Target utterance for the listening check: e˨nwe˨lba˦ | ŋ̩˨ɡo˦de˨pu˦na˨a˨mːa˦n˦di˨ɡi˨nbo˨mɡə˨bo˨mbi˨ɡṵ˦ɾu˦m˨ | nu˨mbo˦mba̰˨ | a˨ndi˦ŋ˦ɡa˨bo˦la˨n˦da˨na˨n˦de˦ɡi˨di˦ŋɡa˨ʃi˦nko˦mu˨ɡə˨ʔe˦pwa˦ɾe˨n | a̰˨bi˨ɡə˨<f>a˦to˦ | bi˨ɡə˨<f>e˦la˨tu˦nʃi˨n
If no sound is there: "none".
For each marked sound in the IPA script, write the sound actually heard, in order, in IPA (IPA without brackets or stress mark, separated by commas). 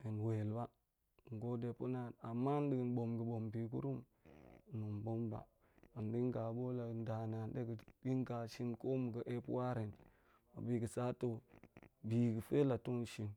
s, f